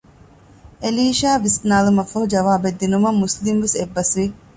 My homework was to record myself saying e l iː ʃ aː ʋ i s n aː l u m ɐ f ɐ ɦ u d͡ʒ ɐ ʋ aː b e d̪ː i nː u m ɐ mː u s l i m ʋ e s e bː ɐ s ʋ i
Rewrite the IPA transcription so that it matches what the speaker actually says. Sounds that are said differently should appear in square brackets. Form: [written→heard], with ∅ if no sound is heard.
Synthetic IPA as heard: e l iː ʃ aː ʋ i s n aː l u m ɐ f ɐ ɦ u d͡ʒ ɐ ʋ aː b e d̪ː i [nː→n] u m ɐ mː u s l i m ʋ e s e bː ɐ s ʋ i